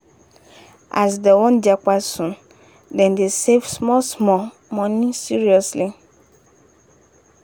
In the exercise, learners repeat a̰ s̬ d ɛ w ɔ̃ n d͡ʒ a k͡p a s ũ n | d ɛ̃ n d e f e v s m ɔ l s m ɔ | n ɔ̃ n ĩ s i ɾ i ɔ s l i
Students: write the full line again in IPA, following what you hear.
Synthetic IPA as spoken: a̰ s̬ d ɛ w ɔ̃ n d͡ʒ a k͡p a s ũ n | d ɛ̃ n d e s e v s m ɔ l s m ɔ | m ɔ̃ n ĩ s i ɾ i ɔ s l i